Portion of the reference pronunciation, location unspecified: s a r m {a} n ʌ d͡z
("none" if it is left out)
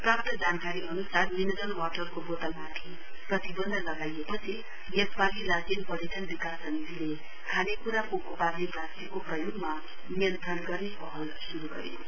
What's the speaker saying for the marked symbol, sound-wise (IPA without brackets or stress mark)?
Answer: i